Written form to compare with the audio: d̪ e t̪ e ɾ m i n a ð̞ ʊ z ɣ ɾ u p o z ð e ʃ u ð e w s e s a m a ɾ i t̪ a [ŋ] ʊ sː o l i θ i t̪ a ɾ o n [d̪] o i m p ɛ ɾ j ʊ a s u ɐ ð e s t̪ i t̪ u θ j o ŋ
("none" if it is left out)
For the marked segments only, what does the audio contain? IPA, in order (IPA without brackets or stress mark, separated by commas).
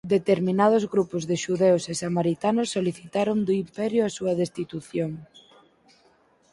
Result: n, d̪